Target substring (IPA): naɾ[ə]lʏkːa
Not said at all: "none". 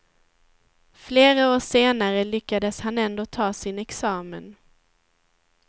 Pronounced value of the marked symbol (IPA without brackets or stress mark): ə